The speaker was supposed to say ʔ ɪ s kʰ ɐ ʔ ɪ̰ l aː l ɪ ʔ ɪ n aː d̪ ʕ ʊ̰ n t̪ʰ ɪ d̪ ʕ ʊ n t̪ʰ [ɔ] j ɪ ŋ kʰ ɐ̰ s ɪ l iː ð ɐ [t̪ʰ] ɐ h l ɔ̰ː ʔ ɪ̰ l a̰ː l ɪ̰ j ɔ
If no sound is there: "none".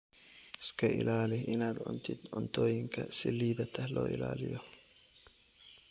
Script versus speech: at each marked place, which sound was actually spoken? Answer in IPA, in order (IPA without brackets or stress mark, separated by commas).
ɔː, t̪ʰ